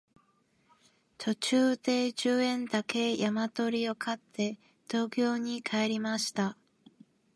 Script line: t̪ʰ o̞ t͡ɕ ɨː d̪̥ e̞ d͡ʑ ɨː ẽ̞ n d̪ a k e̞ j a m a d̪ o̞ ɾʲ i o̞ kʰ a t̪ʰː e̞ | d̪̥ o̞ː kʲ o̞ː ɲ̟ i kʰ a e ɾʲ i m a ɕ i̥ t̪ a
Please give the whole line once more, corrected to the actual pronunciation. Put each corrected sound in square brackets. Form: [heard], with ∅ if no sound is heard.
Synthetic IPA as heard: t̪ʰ o̞ t͡ɕ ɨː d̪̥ e̞ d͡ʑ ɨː ẽ̞ n d̪ a k e̞ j a m a [t̪] o̞ ɾʲ i o̞ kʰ a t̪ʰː e̞ | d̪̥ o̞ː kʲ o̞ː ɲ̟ i kʰ a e ɾʲ i m a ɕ i̥ t̪ a